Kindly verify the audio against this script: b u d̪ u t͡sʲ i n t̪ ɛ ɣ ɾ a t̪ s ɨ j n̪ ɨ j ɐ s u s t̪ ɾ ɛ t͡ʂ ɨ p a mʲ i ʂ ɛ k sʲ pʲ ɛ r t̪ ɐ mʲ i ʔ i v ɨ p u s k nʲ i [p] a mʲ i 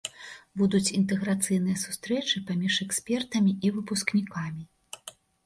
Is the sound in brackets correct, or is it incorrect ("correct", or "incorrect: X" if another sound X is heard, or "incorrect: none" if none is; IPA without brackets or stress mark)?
incorrect: k